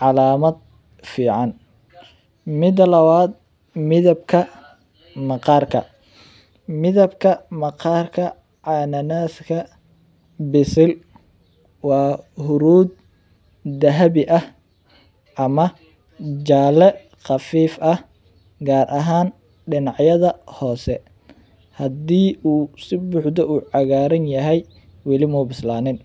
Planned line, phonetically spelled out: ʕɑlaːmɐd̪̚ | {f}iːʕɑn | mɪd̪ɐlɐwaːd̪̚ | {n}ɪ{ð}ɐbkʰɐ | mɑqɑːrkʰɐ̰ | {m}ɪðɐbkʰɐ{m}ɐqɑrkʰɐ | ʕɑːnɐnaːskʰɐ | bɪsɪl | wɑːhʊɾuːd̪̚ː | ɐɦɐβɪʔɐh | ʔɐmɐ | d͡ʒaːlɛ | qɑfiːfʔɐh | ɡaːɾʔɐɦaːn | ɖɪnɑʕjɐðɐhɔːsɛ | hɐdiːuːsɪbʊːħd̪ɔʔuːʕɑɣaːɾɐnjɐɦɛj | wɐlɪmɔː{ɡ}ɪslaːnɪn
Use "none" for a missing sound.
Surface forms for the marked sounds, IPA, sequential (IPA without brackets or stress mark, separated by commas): f, m, ð, m, m, b